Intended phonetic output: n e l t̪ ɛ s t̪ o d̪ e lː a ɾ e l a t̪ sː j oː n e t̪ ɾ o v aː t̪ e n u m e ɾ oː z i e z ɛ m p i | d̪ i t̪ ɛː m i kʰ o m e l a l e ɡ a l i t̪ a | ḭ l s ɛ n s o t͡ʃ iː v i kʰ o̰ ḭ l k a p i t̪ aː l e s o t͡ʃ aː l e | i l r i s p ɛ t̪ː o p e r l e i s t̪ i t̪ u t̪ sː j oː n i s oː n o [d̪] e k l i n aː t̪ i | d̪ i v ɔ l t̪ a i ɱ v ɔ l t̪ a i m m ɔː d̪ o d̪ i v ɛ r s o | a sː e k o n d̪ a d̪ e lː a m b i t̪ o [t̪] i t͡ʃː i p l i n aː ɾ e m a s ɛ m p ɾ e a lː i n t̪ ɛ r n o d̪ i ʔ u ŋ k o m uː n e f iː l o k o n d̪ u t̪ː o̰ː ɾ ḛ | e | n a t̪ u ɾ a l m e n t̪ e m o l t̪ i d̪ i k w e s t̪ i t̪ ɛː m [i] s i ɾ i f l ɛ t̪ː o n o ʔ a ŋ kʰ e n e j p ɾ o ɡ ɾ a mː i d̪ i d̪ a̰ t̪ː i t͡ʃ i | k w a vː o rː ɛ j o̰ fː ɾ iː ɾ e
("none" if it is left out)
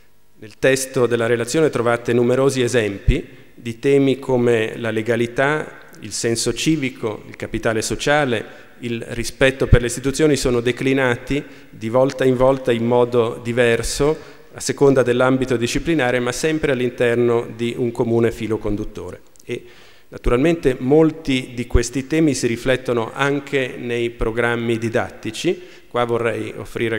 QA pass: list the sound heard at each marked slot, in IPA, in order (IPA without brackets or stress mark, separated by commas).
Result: d̪, d̪, i